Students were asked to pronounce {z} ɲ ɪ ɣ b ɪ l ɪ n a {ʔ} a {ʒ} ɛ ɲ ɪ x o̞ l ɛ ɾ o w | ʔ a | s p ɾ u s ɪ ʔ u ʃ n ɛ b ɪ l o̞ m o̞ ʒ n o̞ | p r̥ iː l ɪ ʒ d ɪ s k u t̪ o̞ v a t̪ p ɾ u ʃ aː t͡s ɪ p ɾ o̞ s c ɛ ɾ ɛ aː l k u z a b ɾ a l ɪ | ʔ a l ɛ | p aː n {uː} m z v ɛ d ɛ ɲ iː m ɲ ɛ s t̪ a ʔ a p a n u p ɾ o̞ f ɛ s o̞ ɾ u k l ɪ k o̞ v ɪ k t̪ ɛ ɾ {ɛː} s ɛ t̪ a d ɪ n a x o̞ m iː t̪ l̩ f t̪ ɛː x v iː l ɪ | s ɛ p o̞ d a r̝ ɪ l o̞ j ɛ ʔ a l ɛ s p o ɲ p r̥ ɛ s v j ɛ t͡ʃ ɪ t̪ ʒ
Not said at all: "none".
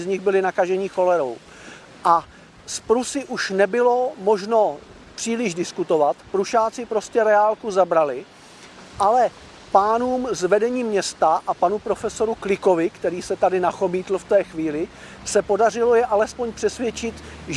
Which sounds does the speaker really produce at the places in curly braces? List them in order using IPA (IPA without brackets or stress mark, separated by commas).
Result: z, k, ʒ, uː, iː